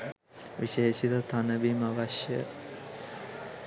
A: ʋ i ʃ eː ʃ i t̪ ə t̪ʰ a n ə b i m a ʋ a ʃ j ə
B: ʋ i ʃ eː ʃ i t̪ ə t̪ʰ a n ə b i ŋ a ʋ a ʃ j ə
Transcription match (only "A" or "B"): A